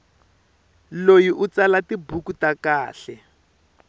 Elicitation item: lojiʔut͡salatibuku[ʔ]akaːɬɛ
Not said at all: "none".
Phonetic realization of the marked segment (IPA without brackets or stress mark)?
t